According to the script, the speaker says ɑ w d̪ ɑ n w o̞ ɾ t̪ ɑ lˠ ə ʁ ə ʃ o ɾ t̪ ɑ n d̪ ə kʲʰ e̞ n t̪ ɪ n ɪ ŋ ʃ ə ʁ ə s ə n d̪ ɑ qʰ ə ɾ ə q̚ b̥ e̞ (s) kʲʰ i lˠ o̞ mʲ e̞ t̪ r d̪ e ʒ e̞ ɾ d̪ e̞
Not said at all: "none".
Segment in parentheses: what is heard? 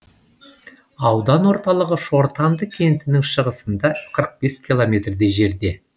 s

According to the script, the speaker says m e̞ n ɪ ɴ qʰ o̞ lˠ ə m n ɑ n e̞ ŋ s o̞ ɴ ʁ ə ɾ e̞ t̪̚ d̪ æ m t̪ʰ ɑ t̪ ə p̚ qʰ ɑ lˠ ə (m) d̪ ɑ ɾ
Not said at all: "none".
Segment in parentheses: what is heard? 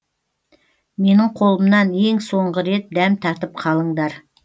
ɴ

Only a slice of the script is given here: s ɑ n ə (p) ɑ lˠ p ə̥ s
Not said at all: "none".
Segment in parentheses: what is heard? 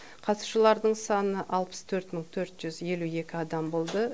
ʔ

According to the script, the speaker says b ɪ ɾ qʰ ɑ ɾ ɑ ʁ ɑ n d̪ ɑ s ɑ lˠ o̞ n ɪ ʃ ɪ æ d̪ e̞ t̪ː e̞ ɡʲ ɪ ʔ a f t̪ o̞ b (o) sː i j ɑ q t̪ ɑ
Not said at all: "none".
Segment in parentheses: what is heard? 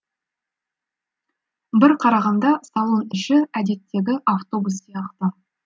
u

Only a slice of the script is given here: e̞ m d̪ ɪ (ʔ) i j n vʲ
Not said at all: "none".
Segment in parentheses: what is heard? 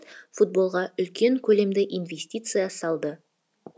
ʔ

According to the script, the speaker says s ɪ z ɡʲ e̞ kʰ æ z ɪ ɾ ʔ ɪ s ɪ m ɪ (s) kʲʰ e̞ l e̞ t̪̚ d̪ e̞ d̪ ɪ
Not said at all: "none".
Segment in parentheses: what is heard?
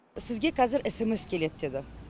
s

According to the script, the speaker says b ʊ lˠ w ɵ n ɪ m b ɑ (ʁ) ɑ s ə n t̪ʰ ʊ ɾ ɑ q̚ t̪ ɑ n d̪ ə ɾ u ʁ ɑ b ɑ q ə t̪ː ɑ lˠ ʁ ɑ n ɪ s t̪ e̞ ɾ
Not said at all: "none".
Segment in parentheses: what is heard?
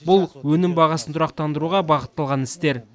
ʁ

